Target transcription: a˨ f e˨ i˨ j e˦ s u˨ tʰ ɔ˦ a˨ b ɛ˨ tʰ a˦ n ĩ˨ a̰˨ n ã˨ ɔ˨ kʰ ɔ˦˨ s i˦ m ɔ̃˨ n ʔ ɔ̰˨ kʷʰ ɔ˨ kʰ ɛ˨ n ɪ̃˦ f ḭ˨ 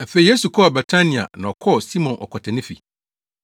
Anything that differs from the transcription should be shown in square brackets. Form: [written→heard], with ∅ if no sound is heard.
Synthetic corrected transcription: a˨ f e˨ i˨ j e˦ s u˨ [tʰ→kʰ] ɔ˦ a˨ b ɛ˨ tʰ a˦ n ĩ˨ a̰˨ n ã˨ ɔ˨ kʰ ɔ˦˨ s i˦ m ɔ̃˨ n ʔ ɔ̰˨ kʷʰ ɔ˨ [kʰ→tʰ] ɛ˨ n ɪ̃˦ f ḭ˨